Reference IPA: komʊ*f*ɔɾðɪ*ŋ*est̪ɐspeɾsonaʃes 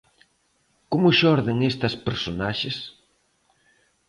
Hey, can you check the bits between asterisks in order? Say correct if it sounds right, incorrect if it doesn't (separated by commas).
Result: incorrect, correct